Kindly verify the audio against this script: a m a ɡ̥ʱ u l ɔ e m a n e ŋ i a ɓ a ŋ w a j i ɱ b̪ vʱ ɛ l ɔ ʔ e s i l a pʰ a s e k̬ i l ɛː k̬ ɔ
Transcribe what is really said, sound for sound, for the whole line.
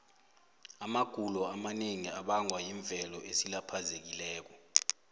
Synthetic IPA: a m a ɡ̥ʱ u l ɔ a m a n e ŋ i a ɓ a ŋ w a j i ɱ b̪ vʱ ɛ l ɔ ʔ e s i l a pʰ a z e k̬ i l ɛː k̬ ɔ